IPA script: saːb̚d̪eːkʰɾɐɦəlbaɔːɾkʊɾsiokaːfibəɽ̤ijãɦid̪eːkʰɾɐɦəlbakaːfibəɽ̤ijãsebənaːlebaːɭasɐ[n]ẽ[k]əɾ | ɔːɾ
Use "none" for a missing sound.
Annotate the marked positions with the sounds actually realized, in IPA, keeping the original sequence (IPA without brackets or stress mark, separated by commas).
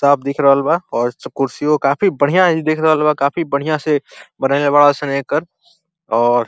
n, k